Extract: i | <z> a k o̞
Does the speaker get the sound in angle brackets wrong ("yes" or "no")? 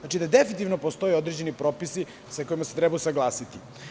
yes